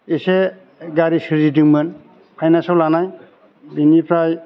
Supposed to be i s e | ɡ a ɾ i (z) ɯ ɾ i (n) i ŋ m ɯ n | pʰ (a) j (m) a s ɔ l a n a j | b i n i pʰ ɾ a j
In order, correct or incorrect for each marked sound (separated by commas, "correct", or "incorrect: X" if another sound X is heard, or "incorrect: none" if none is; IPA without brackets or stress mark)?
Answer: incorrect: s, incorrect: d, correct, incorrect: n